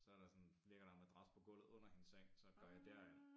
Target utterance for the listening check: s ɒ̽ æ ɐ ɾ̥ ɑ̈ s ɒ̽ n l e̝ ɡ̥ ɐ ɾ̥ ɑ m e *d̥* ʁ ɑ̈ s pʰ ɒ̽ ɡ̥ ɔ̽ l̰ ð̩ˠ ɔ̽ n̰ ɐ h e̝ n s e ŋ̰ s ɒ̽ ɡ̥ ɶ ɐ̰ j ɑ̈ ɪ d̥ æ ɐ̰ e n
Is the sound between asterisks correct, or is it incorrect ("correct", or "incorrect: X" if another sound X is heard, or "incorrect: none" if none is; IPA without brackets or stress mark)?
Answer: correct